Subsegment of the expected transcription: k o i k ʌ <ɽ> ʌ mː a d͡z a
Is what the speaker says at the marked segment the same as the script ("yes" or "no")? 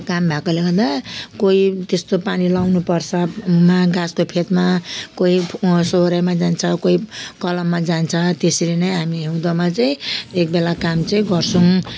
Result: no